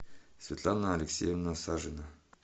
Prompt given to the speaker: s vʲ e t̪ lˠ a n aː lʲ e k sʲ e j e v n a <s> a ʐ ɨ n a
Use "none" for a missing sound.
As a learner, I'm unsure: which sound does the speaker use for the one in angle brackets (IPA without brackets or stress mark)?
s